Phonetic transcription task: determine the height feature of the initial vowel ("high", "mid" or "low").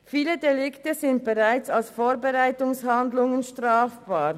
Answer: high